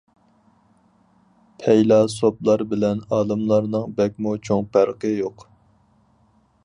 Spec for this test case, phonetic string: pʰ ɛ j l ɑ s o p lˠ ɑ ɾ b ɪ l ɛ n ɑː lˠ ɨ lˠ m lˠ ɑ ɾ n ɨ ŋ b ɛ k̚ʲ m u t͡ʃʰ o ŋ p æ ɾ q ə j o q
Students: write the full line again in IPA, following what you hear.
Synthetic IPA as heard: pʰ ɛ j l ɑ s o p lˠ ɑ ɾ b ɪ l ɛ n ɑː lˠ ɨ m lˠ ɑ ɾ n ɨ ŋ b ɛ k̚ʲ m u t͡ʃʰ o ŋ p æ ɾ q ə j o q

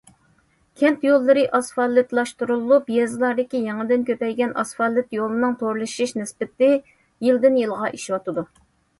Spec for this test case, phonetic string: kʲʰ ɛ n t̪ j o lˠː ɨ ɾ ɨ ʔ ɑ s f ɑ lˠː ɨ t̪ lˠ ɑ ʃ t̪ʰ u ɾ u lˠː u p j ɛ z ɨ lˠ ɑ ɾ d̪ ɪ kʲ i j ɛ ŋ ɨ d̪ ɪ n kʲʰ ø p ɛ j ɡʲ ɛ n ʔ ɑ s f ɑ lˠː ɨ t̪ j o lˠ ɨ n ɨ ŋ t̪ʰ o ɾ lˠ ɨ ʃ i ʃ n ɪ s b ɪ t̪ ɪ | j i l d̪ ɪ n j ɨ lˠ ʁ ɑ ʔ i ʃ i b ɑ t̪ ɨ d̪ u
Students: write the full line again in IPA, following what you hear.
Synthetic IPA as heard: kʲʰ ɛ n t̪ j o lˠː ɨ ɾ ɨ ʔ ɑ s f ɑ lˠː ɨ t̪ lˠ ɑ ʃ t̪ u ɾ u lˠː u p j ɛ z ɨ lˠ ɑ ɾ d̪ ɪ kʲ i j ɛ ŋ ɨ d̪ ɪ n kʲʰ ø p ɛ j ɡʲ ɛ n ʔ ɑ s f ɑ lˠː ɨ t̪ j o lˠ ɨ n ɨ ŋ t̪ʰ o ɾ lˠ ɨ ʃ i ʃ n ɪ s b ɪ t̪ ɪ | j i l d̪ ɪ n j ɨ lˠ ʁ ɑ ʔ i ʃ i w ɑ t̪ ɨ d̪ u

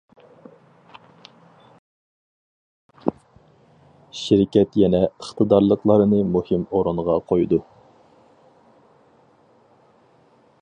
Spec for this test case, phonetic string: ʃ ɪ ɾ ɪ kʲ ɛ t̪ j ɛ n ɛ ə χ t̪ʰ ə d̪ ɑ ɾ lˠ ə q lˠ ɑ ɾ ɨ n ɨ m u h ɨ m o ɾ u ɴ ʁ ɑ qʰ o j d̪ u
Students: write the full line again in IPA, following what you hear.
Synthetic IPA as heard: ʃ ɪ ɾ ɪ kʲ ɛ t̪ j ɛ n ɛ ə χ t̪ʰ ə d̪ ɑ ɾ lˠ ə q lˠ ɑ ɾ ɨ n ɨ m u h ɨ m o ɾ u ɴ ʁ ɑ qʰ o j d̪ u

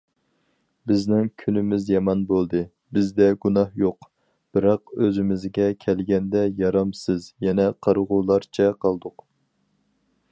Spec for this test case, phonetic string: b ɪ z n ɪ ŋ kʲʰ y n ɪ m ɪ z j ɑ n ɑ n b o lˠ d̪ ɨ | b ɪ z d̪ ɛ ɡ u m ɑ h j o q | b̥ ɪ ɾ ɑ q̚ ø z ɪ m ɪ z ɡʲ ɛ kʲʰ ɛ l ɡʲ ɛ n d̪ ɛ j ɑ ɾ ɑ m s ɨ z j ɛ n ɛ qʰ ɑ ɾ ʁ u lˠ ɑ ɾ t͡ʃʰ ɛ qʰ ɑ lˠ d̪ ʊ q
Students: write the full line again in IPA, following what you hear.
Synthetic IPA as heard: b ɪ z n ɪ ŋ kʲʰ y n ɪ m ɪ z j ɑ m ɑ n b o lˠ d̪ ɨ | b ɪ z d̪ ɛ ɡ u n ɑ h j o q | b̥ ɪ ɾ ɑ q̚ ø z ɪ m ɪ z ɡʲ ɛ kʲʰ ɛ l ɡʲ ɛ n d̪ ɛ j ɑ ɾ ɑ m s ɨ z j ɛ n ɛ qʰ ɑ ɾ ʁ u lˠ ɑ ɾ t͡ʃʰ ɛ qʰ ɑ lˠ d̪ ʊ q

